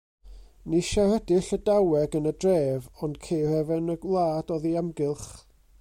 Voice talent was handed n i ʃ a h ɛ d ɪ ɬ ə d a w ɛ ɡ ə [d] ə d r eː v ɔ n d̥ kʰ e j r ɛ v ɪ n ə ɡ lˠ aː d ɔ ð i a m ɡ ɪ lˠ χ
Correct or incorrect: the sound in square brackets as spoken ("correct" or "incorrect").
incorrect